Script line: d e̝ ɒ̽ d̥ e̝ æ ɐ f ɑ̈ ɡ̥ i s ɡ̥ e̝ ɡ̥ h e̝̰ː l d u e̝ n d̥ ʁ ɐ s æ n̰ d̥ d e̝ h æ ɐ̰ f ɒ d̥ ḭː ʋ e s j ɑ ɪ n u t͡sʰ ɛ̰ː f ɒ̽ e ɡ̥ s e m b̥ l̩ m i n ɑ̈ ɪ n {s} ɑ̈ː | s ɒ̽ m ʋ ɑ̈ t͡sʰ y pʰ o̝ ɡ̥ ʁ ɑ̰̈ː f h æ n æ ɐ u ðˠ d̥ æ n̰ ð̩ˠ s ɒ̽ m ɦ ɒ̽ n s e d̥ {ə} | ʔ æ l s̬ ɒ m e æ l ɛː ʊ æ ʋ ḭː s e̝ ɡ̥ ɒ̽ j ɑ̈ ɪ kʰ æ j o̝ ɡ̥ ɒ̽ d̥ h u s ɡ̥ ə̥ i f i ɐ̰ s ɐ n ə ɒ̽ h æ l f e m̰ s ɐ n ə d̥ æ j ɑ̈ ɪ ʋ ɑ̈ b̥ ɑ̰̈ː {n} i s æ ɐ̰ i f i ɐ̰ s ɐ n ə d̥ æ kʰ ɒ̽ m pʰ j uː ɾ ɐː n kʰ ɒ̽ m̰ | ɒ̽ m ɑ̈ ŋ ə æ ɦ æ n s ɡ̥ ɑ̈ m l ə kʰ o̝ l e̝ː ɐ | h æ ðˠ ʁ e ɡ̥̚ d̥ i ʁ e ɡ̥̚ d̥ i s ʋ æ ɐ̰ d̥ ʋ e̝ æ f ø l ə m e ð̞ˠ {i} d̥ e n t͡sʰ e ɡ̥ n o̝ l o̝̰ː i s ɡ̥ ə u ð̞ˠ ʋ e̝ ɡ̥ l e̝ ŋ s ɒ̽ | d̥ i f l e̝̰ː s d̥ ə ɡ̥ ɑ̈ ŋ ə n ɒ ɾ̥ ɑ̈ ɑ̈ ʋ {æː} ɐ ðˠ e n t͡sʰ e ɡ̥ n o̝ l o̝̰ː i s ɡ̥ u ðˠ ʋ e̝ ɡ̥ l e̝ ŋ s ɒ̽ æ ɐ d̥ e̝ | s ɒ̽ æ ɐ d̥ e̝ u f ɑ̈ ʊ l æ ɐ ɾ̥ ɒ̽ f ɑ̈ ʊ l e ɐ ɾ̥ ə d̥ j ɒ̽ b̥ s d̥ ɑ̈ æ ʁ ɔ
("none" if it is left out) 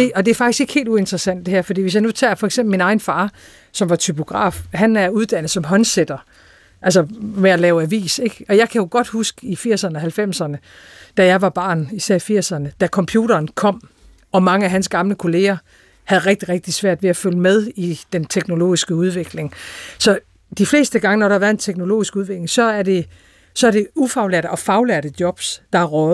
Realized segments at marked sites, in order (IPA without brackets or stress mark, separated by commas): f, ɐ, n, i, æ